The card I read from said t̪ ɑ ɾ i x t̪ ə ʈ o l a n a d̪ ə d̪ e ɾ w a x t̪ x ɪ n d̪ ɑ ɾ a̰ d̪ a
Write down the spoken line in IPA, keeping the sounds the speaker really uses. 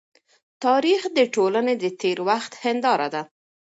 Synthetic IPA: t̪ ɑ ɾ i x d̪ ə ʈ o l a n e d̪ ə t̪ e ɾ w a x t̪ h ɪ n d̪ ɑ ɾ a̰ d̪ a

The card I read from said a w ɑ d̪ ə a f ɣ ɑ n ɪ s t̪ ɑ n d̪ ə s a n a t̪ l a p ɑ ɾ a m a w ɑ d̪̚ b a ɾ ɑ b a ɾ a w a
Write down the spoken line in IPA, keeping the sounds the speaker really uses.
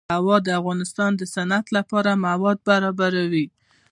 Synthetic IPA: a w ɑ d̪ ə a f ɣ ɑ n ɪ s t̪ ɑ n d̪ ə s a n a t̪ l a p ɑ ɾ a m a w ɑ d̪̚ b a ɾ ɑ b a ɾ a w i

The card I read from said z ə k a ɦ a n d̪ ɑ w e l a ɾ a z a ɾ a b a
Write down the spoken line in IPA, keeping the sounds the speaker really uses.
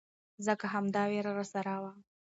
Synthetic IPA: z ə k a ɦ a m d̪ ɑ w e ɾ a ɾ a s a ɾ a w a

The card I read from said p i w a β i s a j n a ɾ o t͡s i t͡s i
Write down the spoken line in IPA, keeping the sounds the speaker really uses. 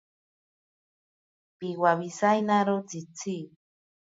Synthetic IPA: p i w a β i s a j n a ɾ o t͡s i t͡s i

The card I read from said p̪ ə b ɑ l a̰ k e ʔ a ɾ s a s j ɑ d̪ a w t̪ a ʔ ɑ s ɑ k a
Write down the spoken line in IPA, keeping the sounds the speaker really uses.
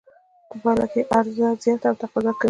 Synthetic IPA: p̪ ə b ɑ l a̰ k e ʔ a ɾ z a z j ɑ t̪ a w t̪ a q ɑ z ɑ k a

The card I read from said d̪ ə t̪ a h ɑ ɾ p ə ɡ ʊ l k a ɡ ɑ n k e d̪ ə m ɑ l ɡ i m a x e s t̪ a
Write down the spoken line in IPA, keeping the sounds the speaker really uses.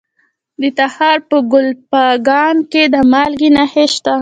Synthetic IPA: d̪ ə t̪ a h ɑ ɾ p ə ɡ ʊ l p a ɡ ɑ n k e d̪ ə m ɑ l ɡ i n a h e ʃ t̪ a

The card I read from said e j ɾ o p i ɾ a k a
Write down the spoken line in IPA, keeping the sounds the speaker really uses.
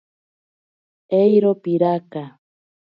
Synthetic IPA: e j ɾ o p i ɾ a k a

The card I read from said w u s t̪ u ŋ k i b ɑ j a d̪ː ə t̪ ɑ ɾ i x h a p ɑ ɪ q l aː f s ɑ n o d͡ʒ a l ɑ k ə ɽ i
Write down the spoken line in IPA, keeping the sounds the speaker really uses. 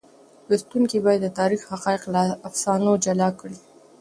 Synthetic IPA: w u s t̪ u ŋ k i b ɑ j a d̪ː ə t̪ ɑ ɾ i x h a q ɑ ɪ q l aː f s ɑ n o d͡ʒ a l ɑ k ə ɽ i

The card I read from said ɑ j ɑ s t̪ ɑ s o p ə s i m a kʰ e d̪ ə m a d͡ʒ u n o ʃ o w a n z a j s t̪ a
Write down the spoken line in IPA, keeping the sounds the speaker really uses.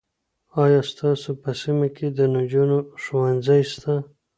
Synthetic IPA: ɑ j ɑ s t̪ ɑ s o p ə s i m a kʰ e d̪ ə n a d͡ʒ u n o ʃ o w a n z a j s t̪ a

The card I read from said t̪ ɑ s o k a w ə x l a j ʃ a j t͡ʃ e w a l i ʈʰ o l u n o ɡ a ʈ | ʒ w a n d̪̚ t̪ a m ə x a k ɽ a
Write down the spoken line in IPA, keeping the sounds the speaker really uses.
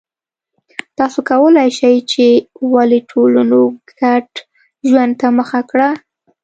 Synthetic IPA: t̪ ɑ s o k a w ə l a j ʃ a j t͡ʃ e w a l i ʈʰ o l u n o ɡ a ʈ | ʒ w a n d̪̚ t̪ a m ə x a k ɽ a

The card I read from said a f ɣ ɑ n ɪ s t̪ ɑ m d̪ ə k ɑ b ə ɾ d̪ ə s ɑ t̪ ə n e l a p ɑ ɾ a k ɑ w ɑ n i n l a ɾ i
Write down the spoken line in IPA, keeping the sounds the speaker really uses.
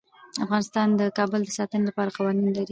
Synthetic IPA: a f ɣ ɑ n ɪ s t̪ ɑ n d̪ ə k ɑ b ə l d̪ ə s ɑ t̪ ə n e l a p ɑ ɾ a q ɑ w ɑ n i n l a ɾ i

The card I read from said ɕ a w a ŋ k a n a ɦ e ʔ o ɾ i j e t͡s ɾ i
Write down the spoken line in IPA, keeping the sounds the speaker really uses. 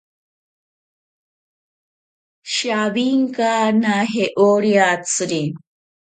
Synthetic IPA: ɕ a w i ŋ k a n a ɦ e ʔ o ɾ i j a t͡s ɾ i

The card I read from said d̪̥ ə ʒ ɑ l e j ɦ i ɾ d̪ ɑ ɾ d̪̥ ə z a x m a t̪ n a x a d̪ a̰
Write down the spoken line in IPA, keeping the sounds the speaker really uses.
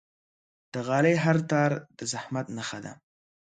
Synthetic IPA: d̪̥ ə ɣ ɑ l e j ɦ a ɾ t̪ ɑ ɾ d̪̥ ə z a h m a t̪ n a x a d̪ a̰

